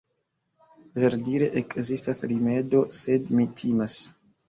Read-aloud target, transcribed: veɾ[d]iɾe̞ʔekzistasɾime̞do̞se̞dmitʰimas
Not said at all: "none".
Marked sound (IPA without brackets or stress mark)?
d